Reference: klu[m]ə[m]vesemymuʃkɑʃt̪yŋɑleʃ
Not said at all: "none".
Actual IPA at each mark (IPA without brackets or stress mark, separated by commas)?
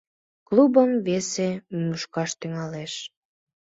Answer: b, m